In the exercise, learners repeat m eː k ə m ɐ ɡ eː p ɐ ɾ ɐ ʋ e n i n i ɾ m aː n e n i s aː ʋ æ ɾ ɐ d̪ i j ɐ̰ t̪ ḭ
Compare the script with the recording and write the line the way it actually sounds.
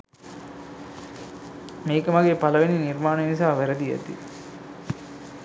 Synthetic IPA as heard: m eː k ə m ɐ ɡ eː p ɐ l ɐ ʋ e n i n i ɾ m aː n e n i s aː ʋ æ ɾ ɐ d̪ i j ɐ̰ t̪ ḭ